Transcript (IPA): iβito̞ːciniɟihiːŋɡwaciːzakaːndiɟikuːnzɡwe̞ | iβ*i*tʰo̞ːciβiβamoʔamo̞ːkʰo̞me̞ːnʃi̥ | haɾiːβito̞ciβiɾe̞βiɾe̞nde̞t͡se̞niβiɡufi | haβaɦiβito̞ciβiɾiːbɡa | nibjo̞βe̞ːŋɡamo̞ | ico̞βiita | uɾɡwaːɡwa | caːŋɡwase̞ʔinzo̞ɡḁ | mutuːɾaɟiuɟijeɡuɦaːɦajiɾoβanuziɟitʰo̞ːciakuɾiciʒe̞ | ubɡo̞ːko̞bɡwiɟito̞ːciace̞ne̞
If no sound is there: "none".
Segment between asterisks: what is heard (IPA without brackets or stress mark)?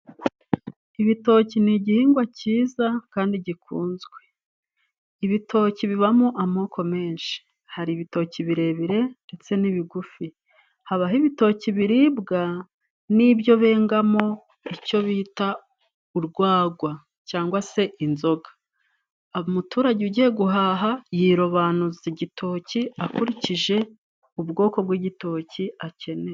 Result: i